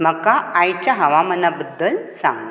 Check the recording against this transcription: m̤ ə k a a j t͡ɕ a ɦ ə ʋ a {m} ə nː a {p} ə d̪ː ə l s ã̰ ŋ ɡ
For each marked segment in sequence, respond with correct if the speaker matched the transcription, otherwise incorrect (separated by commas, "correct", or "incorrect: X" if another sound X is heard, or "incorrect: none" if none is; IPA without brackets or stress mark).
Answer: correct, incorrect: b